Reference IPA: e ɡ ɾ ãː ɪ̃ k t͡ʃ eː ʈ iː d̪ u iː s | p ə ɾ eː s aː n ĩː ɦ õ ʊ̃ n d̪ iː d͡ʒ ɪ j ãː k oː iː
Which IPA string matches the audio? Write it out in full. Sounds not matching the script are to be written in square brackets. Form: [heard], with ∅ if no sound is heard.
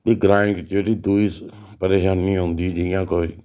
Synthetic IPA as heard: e ɡ ɾ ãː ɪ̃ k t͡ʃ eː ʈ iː d̪ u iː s | p ə ɾ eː [ʃ] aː n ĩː ɦ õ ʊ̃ n d̪ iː d͡ʒ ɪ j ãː k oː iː